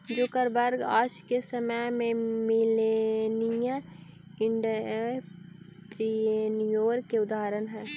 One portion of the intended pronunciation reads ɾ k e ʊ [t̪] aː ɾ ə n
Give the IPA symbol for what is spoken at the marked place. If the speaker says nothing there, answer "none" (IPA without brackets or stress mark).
d̪